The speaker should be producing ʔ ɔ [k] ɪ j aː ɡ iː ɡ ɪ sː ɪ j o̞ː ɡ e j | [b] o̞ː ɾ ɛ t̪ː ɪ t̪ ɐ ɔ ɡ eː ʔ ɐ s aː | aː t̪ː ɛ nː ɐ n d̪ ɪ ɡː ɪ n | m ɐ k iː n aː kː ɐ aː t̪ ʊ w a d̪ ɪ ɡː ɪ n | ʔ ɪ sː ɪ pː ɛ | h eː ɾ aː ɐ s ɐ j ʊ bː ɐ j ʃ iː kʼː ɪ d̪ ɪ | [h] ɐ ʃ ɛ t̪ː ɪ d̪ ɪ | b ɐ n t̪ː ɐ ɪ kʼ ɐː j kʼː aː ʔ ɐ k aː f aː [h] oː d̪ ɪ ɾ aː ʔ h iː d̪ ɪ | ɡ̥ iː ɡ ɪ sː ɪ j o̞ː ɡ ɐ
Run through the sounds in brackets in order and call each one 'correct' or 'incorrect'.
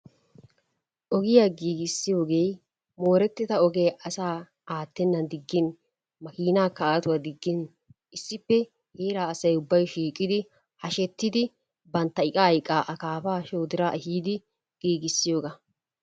incorrect, incorrect, correct, incorrect

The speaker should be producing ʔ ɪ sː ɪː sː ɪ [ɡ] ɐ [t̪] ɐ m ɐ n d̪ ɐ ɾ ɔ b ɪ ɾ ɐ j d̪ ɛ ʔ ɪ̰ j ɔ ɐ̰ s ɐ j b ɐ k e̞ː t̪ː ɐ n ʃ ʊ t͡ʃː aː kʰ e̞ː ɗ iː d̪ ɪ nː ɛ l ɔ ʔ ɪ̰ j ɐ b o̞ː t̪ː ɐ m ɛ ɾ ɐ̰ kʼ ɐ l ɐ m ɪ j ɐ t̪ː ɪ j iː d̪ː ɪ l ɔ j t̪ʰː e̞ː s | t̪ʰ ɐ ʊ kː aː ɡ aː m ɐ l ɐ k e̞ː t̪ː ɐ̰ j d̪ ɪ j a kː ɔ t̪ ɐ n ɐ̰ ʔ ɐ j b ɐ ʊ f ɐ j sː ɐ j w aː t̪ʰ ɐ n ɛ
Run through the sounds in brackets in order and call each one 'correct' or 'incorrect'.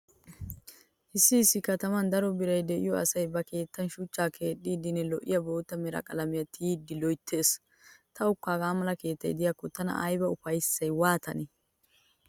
incorrect, correct

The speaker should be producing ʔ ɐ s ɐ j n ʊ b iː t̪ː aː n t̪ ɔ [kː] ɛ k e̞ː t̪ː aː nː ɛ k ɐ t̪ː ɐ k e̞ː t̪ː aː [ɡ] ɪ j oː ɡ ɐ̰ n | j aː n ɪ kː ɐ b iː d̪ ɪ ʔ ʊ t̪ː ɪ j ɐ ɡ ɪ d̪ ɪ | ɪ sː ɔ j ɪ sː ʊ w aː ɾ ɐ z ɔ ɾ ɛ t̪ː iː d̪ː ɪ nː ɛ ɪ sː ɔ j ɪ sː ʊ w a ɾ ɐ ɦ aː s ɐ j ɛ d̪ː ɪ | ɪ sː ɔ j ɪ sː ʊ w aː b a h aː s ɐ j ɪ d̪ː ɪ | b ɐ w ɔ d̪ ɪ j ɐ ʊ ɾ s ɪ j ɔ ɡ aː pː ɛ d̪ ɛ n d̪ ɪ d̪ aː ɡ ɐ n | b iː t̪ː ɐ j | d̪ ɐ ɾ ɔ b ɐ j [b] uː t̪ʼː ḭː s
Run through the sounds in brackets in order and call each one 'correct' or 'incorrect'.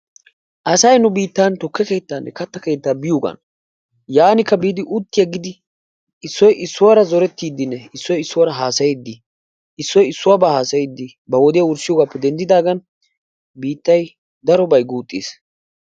correct, incorrect, incorrect

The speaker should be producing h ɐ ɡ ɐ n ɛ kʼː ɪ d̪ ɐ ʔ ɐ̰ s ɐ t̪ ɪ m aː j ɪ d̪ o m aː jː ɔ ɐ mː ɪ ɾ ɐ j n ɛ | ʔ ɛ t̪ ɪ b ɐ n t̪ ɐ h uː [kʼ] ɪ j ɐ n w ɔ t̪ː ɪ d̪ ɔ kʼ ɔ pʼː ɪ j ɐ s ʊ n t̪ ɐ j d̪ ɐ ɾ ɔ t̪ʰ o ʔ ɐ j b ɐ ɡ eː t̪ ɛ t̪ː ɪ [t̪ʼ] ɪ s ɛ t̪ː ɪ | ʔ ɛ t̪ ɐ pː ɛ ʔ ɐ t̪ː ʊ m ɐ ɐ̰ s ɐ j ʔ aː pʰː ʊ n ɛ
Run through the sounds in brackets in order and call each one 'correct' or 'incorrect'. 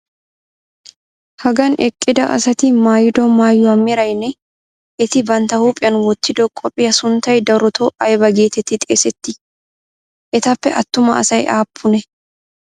incorrect, correct

